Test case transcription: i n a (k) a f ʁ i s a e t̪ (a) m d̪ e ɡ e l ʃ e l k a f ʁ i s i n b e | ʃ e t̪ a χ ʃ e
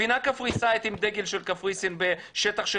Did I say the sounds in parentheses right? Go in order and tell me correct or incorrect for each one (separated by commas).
correct, incorrect